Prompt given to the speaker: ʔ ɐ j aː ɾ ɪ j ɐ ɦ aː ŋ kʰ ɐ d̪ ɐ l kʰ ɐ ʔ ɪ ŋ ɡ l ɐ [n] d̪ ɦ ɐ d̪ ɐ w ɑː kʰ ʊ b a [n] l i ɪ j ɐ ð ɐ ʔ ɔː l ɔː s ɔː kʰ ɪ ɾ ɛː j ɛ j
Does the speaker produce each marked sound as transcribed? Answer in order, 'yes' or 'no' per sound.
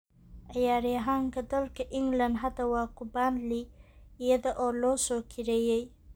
yes, yes

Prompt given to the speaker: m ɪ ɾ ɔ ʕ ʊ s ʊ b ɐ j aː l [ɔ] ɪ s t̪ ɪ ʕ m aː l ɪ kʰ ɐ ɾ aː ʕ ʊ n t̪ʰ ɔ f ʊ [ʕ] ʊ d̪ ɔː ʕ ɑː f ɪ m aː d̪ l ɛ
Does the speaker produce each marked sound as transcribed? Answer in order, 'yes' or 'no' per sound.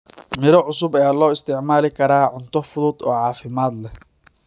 no, no

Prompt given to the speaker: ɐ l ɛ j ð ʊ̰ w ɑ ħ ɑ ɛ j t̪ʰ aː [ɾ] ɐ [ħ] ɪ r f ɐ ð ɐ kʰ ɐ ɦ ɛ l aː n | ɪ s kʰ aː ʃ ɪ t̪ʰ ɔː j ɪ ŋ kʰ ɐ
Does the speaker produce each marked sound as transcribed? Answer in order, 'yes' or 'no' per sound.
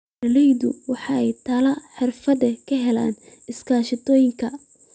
no, yes

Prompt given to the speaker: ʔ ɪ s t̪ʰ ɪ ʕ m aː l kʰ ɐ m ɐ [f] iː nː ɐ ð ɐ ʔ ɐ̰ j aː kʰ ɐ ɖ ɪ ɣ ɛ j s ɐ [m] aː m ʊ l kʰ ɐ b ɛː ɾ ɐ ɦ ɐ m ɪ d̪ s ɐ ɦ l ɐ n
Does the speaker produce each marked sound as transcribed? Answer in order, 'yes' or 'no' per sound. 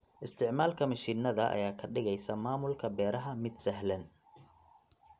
no, yes

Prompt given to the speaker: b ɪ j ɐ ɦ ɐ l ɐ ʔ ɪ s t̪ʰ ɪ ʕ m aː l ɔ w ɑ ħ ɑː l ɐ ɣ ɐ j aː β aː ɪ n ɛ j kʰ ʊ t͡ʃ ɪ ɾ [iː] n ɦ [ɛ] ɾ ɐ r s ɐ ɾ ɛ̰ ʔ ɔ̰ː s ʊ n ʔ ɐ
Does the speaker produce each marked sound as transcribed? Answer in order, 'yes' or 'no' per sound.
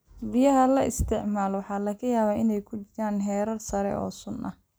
no, no

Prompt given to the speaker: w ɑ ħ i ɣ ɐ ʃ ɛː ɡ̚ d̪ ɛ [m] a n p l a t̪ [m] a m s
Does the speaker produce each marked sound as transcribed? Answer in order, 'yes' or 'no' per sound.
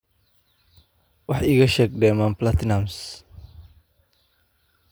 yes, no

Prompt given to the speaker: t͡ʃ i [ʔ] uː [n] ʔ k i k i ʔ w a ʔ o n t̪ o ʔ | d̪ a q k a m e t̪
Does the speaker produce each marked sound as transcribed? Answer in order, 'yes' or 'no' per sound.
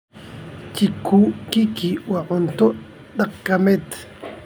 no, no

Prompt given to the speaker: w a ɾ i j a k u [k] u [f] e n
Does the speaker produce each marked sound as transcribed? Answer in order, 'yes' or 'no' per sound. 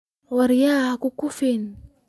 yes, yes

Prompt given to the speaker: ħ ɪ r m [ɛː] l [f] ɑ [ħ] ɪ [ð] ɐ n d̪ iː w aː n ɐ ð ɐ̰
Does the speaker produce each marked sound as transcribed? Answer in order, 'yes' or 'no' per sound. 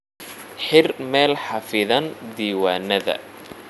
yes, no, no, yes

